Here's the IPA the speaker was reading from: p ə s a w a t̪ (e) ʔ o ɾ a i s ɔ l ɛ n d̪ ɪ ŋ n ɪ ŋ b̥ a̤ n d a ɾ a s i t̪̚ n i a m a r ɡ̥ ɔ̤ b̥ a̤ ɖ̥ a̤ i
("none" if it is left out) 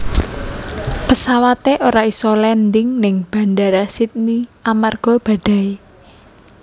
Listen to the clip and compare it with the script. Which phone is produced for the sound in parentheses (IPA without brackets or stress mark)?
e